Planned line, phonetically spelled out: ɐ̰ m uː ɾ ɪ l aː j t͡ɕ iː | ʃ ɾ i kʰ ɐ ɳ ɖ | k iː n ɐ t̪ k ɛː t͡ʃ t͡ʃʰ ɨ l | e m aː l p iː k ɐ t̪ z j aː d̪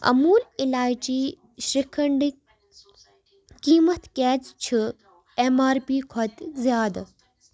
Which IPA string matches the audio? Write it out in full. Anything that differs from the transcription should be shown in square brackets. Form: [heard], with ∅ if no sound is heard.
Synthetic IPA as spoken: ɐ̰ m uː [l] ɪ l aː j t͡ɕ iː | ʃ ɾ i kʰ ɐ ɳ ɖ | k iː [m] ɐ t̪ k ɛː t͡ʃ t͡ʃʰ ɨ [∅] | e m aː [ɾ] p iː [kʰ] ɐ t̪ z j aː d̪